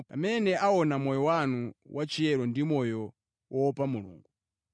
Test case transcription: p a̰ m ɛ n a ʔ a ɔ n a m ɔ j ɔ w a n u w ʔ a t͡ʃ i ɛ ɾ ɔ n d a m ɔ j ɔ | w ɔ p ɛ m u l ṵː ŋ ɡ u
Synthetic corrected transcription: p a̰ m ɛ n ɛ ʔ a ɔ n a m ɔ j ɔ w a n u w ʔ a t͡ʃ i ɛ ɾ ɔ n d i m ɔ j ɔ | w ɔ p a m u l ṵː ŋ ɡ u

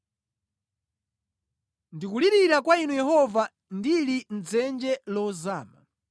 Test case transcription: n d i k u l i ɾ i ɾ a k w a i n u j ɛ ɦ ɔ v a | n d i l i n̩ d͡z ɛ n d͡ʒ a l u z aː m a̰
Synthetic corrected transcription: n d i k u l i ɾ i ɾ a k w a i n u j ɛ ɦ ɔ v a | n d i l i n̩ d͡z ɛ n d͡ʒ ɛ l ɔ z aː m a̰

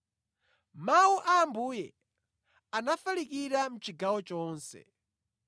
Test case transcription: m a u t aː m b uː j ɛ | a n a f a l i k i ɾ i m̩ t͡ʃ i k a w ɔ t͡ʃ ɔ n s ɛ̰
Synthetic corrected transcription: m a u ʔ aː m b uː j ɛ | a n a f a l i k i ɾ a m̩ t͡ʃ i ɡ a w ɔ t͡ʃ ɔː n s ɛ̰

